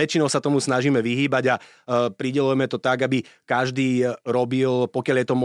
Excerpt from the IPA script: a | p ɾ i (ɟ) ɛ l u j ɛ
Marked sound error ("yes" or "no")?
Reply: no